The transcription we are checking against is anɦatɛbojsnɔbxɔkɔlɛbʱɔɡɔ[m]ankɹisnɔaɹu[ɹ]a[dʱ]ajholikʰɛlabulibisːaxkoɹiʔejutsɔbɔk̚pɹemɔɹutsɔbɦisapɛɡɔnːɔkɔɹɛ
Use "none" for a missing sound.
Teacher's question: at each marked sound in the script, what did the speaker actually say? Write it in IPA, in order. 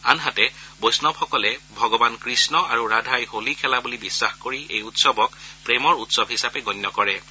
b, ɹ, dʱ

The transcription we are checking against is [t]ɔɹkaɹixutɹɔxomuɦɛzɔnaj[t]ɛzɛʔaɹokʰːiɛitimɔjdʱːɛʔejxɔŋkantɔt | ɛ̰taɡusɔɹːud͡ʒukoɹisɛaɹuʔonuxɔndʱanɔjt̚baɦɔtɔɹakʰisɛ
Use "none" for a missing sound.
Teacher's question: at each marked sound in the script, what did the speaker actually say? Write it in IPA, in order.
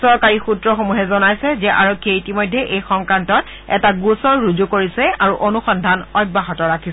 s, s

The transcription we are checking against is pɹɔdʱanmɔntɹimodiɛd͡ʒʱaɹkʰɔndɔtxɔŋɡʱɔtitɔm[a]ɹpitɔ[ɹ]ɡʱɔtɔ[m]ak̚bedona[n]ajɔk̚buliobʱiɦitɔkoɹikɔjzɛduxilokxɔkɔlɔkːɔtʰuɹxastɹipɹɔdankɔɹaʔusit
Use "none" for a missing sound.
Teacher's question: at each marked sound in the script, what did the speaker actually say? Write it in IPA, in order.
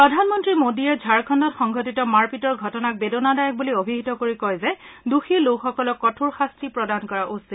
a, ɹ, n, d

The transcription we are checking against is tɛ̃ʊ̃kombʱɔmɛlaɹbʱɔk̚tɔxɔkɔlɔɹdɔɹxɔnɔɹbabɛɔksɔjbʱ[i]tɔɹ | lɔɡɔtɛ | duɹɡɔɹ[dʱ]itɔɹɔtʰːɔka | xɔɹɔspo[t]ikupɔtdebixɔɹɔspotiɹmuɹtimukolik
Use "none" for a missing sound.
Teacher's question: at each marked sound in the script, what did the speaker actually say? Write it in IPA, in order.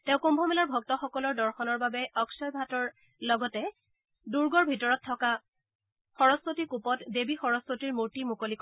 a, bʱ, t

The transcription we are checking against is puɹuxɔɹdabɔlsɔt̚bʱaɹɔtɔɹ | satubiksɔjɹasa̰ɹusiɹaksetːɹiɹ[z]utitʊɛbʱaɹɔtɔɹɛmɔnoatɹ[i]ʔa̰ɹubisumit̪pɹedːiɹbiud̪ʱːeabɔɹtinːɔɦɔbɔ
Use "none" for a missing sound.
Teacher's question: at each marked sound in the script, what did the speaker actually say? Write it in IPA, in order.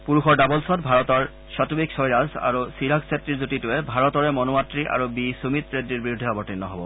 z, i

